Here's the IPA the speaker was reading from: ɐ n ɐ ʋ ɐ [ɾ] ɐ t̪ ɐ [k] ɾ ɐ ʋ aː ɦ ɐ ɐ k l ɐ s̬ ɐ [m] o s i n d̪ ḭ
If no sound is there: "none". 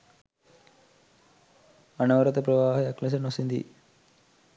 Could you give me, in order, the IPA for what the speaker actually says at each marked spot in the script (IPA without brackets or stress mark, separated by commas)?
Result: ɾ, p, n